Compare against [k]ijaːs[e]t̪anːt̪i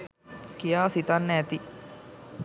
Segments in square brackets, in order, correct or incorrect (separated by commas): correct, incorrect